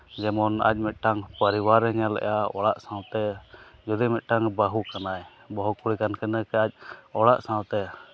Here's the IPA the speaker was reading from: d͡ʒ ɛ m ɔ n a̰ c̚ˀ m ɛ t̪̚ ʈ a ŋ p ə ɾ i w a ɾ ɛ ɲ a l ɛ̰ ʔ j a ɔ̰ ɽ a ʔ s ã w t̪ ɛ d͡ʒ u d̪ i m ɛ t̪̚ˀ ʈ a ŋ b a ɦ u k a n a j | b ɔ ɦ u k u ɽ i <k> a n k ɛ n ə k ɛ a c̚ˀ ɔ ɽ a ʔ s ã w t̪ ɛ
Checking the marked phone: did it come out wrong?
no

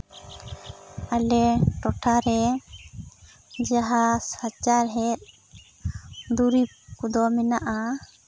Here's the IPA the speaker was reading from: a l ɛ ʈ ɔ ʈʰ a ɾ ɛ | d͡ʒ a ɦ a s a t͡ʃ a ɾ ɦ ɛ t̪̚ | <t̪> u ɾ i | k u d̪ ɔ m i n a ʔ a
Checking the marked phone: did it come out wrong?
yes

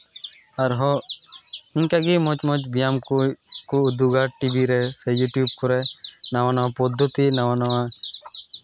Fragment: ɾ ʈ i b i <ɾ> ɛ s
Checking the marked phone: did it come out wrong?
no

